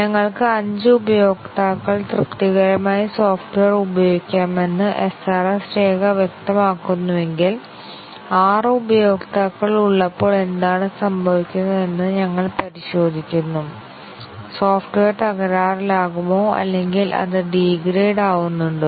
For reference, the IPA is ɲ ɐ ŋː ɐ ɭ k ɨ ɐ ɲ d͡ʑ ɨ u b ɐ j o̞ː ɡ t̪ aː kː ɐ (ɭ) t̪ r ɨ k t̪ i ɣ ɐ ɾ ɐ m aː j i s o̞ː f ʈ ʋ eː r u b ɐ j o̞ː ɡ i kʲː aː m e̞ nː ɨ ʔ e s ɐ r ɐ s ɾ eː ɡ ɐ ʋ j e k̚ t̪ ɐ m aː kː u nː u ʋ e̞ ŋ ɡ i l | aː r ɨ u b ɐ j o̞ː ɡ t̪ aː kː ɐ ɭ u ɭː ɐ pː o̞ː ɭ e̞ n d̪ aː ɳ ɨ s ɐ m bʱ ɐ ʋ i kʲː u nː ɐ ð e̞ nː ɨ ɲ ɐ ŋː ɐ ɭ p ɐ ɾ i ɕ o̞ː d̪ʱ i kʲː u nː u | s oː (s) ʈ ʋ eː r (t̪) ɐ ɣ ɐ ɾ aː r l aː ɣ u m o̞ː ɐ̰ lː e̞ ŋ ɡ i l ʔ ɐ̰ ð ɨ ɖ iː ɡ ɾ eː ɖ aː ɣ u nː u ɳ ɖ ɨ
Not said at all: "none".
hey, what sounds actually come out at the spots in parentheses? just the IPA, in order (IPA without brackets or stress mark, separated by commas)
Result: ɭ, f, t̪